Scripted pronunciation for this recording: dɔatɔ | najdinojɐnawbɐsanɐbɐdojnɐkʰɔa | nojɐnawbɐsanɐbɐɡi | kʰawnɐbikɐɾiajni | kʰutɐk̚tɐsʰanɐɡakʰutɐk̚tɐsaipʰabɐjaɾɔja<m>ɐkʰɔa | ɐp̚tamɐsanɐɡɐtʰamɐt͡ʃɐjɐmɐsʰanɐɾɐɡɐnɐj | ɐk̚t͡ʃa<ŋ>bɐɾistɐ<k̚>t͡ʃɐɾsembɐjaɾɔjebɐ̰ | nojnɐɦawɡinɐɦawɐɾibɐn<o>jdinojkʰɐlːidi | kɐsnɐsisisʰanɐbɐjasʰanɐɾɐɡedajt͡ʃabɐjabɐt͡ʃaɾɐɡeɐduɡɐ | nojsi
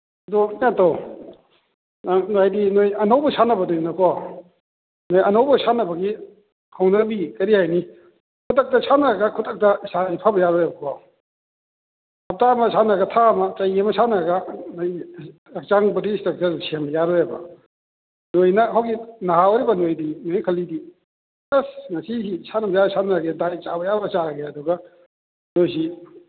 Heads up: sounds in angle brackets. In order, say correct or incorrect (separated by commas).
incorrect, correct, correct, correct